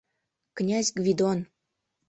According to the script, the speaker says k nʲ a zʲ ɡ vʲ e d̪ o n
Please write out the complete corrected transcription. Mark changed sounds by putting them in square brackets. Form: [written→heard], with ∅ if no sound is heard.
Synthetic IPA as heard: k nʲ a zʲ ɡ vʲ [e→i] d̪ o n